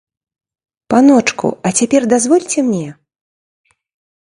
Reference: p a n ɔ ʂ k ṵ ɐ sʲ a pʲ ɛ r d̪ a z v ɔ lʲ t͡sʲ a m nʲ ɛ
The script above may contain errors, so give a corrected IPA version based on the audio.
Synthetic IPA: p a n ɔ t͡ʂ k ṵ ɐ t͡sʲ a pʲ ɛ r d̪ a z v ɔ lʲ t͡sʲ ɛ m nʲ ɛ